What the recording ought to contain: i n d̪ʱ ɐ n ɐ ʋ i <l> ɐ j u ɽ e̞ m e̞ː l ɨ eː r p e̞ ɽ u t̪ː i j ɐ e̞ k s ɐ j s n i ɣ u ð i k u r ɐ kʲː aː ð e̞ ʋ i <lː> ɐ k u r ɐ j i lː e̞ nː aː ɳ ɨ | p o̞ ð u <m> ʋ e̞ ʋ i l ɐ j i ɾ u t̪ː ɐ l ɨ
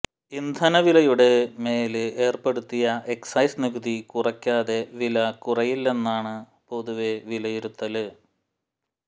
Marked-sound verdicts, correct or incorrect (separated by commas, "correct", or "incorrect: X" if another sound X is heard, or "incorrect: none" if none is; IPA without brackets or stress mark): correct, incorrect: l, incorrect: none